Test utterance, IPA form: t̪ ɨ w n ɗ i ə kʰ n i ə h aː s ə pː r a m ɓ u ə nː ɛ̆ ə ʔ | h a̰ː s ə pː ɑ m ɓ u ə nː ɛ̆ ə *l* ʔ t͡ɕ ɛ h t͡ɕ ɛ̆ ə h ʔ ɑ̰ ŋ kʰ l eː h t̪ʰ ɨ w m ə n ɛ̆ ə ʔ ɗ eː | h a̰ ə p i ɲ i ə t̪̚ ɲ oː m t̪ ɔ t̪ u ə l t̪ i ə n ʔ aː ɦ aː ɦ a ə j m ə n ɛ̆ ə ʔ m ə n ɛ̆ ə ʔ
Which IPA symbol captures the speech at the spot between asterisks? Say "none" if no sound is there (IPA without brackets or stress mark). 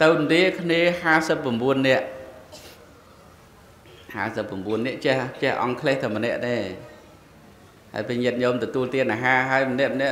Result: none